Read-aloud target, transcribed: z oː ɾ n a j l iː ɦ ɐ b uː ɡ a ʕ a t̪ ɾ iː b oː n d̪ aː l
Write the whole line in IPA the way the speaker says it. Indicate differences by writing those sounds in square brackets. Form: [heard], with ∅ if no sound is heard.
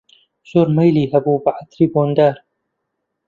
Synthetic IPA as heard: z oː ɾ [m] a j l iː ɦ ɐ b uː [b] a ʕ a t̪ ɾ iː b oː n d̪ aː [ɾ]